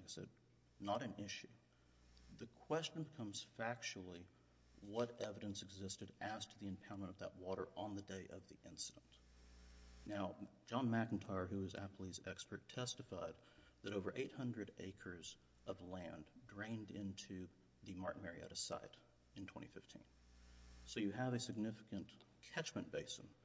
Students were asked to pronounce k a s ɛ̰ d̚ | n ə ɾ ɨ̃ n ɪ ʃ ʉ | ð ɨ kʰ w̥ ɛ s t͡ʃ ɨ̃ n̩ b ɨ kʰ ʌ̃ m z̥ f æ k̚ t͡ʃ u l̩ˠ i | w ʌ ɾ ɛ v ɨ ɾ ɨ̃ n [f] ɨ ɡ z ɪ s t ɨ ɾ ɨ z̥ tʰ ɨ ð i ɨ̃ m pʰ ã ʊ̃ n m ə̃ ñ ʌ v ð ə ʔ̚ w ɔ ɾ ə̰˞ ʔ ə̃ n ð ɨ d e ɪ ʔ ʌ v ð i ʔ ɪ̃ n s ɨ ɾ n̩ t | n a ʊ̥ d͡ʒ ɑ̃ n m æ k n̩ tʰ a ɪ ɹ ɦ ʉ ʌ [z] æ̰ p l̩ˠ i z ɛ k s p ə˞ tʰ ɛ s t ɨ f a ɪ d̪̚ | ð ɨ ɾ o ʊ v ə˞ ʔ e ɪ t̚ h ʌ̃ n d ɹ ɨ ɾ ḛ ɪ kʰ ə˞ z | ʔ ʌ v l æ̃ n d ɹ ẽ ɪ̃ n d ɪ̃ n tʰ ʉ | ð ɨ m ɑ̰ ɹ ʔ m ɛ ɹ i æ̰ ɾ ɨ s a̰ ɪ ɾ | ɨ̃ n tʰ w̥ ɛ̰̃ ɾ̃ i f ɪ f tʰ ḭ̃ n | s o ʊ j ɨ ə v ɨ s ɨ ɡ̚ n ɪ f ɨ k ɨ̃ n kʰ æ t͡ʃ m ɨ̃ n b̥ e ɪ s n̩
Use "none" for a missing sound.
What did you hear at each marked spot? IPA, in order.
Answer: s, z

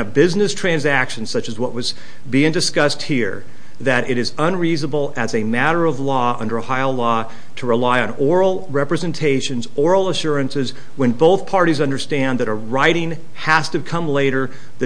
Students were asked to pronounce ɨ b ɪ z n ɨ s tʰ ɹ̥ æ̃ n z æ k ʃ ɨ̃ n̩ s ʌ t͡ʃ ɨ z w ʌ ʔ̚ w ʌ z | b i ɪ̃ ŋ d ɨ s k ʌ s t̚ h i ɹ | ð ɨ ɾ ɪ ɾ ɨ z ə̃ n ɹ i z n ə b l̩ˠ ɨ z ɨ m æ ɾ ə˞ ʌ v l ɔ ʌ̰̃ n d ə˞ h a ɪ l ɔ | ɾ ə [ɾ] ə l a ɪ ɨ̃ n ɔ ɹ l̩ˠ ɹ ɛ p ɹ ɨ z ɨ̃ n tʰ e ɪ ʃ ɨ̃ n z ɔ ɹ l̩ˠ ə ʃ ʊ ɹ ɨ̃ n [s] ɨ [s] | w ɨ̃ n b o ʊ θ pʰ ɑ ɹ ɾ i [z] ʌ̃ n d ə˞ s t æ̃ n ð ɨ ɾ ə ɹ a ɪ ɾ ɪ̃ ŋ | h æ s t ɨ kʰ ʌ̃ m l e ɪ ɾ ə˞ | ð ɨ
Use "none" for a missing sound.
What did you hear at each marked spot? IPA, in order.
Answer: ɹ, s, z, z

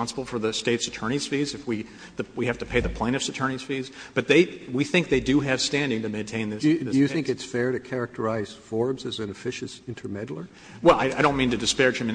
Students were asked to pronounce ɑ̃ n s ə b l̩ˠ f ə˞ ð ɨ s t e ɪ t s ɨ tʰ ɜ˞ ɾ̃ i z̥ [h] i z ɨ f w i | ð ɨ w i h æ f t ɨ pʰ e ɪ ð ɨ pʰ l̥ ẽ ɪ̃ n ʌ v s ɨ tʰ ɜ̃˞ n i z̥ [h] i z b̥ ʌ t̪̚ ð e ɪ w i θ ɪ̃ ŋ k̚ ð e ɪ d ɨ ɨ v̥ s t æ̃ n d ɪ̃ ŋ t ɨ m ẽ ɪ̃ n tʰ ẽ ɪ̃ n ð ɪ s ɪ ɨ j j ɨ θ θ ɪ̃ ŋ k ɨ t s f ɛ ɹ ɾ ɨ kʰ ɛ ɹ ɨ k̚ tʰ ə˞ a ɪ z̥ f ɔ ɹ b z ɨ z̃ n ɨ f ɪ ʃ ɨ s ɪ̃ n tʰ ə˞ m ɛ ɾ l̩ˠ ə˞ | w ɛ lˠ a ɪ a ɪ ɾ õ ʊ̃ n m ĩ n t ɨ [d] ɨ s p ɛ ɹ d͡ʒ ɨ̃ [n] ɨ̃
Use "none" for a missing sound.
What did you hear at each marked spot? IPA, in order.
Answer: f, f, d, m

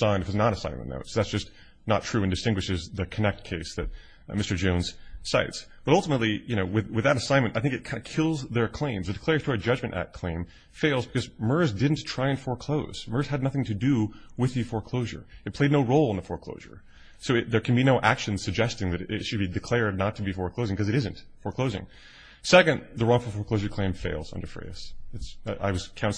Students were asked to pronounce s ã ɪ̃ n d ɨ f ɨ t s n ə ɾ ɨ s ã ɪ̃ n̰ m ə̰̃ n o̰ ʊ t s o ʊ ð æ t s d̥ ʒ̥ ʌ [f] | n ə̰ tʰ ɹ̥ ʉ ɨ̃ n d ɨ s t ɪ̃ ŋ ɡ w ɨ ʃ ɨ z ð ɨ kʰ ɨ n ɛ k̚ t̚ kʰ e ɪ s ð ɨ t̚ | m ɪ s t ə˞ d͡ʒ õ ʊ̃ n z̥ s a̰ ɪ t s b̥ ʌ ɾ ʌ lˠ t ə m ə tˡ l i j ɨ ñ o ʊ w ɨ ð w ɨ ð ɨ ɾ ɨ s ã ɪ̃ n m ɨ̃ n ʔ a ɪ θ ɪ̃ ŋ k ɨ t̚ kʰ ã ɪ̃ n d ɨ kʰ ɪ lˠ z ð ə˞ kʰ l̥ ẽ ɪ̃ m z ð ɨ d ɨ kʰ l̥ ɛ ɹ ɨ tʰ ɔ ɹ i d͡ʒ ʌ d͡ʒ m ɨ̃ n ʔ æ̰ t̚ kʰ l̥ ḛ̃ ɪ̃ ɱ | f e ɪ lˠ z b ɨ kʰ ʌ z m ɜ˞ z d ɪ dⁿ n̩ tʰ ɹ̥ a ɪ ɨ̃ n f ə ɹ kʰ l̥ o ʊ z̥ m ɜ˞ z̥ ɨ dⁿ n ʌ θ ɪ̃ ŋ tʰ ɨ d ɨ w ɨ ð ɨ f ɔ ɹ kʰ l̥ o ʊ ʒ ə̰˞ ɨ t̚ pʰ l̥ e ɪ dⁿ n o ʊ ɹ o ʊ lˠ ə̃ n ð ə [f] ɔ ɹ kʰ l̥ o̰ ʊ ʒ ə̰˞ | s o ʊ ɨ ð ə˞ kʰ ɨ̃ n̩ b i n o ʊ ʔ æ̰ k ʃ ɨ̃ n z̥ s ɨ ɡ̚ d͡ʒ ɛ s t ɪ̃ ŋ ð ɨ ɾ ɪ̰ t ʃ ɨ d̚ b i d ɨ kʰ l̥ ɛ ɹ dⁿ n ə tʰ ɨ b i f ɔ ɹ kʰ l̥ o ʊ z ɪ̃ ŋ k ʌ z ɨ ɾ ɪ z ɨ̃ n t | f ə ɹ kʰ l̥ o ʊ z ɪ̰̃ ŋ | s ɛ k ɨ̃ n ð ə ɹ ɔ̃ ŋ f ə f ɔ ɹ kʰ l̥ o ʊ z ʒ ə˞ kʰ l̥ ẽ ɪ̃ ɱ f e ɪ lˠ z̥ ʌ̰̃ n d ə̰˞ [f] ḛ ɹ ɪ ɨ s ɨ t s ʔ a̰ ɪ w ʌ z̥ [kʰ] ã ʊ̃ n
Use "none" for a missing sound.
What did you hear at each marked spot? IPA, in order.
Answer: s, f, f, kʰ

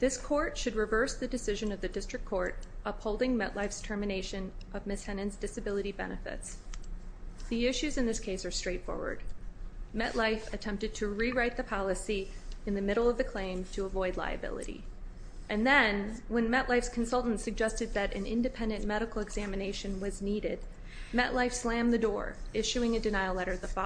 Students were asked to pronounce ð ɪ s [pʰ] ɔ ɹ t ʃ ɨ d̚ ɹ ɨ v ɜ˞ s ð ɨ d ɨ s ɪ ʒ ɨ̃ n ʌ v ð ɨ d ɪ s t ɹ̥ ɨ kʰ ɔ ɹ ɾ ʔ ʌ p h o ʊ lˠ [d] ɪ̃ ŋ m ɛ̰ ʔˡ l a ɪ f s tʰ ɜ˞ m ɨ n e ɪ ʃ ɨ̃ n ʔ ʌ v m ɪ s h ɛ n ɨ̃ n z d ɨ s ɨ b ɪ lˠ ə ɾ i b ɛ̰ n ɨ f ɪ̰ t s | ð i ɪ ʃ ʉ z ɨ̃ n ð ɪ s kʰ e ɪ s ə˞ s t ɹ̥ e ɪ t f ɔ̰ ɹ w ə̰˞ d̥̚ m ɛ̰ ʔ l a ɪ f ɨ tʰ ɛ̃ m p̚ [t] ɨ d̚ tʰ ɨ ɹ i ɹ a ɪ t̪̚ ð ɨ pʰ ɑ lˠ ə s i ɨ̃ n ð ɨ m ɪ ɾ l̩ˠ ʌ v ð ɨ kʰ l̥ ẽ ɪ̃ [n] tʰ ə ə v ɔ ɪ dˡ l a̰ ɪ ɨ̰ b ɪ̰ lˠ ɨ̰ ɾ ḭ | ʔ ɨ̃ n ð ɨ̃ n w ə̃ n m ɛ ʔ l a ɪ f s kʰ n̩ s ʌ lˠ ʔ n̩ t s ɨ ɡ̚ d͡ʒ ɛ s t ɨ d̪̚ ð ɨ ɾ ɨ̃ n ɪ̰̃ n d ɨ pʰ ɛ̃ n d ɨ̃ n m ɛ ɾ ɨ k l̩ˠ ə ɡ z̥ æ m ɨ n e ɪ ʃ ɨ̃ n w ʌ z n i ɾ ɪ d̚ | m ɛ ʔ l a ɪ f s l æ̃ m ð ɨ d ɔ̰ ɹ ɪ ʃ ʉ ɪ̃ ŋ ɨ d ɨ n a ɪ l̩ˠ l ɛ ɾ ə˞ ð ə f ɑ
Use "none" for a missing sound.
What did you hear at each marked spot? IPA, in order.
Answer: kʰ, d, t, m

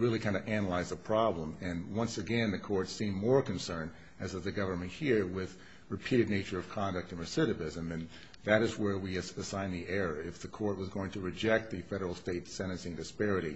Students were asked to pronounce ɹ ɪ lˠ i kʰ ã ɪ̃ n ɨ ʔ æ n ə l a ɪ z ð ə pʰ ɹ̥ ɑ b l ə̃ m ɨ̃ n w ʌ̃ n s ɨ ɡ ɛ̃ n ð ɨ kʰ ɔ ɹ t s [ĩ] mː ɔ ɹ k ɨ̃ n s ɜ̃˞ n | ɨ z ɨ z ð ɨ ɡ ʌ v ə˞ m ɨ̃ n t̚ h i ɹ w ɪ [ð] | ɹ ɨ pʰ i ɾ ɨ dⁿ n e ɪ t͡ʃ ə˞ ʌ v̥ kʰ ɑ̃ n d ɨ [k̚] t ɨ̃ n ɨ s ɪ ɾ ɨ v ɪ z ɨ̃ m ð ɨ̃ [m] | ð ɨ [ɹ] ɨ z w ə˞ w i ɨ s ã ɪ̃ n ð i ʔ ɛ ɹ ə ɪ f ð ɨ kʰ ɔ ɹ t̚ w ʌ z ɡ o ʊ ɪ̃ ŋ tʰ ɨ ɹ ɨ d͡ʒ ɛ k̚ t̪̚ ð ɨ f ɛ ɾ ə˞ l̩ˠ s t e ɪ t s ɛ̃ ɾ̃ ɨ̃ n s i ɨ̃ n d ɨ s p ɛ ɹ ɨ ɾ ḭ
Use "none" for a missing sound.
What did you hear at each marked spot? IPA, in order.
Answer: ĩ, ð, k̚, n, ɾ

